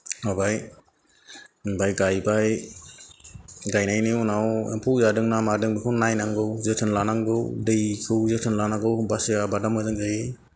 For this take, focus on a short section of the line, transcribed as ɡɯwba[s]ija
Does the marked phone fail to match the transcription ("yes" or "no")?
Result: no